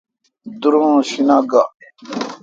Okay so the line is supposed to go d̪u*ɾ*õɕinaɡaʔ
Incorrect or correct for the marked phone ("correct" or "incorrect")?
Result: correct